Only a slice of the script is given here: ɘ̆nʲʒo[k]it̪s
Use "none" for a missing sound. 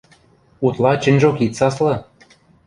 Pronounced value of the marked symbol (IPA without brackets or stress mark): k